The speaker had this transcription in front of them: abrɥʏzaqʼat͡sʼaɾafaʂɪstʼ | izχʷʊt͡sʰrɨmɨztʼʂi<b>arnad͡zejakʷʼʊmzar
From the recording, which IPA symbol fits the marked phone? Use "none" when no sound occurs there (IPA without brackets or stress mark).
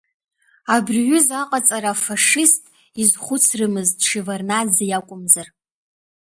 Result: v